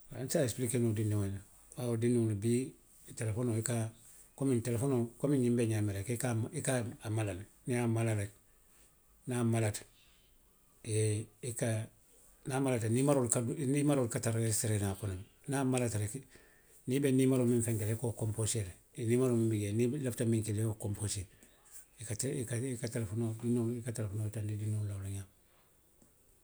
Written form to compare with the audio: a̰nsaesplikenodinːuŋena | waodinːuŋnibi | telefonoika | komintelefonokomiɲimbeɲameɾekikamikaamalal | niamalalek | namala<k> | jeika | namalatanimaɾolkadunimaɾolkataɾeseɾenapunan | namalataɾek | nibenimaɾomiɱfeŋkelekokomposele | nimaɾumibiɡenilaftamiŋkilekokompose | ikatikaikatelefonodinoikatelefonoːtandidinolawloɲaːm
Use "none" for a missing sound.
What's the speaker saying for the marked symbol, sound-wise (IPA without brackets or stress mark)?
t